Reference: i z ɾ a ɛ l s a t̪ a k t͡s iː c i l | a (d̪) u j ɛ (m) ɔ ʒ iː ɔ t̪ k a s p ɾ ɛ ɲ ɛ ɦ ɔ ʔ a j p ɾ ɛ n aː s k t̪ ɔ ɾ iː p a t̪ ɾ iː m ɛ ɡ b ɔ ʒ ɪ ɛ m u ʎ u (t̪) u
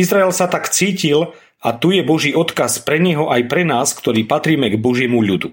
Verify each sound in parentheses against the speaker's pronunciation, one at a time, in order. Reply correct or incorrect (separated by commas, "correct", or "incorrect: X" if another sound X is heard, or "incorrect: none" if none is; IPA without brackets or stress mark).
incorrect: t̪, incorrect: b, incorrect: d̪